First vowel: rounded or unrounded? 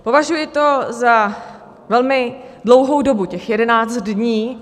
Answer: rounded